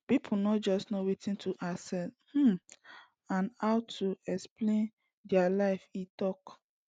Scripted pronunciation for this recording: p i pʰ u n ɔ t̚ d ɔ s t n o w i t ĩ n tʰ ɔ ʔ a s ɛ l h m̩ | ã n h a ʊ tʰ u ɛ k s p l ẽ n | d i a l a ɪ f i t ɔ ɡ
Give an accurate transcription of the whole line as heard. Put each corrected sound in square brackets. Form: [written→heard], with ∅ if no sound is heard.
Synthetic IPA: p i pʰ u n ɔ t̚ [d→d͡ʒ] ɔ s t n o w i t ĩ n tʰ [ɔ→u] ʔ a s ɛ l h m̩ | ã n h a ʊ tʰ u ɛ k s p l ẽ n | d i a l a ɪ f i t ɔ [ɡ→k]